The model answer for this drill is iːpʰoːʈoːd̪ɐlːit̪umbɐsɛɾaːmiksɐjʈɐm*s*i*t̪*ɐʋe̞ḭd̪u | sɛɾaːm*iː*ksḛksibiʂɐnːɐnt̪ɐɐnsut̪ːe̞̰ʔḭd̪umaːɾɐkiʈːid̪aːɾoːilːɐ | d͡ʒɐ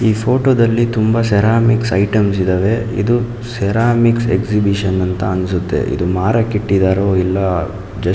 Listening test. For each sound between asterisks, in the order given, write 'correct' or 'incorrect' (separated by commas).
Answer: correct, incorrect, incorrect